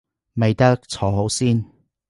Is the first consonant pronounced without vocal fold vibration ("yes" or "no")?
no